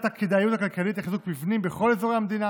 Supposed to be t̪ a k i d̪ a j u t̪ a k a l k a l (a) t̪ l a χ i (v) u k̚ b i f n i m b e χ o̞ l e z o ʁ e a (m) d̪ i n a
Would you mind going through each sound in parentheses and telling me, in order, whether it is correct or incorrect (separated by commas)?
incorrect, incorrect, correct